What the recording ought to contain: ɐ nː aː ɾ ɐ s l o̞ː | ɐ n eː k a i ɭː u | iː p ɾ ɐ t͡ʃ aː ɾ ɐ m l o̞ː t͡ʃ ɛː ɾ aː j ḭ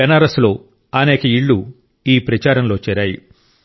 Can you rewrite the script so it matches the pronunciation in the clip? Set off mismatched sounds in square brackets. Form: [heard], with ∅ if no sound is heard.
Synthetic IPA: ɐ [n] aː ɾ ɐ s l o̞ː | ɐ n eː k [ɐ] i ɭː u | iː p ɾ ɐ t͡ʃ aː ɾ ɐ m l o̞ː t͡ʃ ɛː ɾ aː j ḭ